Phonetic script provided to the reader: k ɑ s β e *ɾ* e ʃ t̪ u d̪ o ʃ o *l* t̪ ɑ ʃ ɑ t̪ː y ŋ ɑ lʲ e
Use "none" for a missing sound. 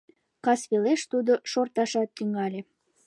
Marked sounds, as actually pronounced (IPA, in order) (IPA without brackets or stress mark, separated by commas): l, r